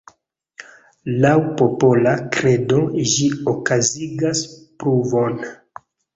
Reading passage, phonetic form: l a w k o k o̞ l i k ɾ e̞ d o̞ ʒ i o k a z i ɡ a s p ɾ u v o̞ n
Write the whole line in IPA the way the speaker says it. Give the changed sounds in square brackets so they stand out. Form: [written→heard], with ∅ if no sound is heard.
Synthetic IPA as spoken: l a w [k→p] o [k→p] o̞ l [i→a] k ɾ e̞ d o̞ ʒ i o k a z i ɡ a s p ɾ u v o̞ n